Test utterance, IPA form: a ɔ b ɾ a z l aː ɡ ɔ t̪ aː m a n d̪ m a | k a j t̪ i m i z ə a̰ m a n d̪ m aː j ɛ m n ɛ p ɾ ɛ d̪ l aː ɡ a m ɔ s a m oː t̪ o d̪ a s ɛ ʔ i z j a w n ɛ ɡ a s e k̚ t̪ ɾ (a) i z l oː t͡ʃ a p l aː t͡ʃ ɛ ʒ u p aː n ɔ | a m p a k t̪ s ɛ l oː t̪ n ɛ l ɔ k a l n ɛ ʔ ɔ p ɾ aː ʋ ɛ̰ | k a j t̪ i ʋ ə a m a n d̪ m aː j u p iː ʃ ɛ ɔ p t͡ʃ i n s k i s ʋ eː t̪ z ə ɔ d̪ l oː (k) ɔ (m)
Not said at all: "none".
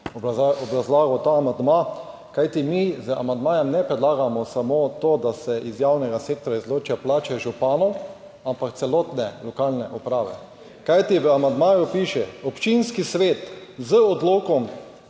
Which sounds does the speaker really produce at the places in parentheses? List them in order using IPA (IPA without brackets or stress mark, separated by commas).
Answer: a, k, m